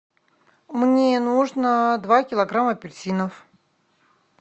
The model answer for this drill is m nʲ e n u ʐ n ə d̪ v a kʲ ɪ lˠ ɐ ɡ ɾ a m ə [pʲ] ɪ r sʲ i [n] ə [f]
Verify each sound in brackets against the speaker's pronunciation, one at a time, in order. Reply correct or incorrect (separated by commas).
correct, correct, correct